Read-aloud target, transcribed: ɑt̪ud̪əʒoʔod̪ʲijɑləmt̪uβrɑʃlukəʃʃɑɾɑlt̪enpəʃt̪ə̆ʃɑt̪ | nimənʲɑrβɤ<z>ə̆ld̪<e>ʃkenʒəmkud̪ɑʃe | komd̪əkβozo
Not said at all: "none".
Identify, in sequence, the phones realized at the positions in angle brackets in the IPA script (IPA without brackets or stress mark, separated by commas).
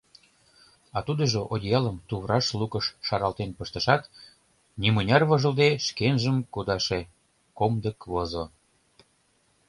ʒ, e